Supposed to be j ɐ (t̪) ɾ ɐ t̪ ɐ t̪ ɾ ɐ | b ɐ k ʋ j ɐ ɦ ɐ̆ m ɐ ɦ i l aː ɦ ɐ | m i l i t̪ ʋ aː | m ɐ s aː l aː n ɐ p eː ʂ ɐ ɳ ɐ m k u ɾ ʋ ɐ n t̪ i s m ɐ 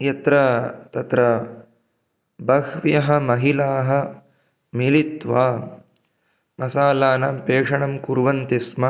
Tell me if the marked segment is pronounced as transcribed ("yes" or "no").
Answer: yes